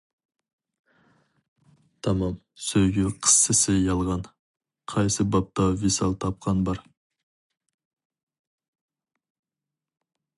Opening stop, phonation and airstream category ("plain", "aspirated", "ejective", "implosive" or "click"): aspirated